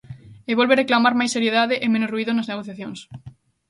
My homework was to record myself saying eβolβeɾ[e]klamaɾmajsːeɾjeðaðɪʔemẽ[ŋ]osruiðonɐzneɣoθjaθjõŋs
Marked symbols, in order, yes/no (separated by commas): yes, no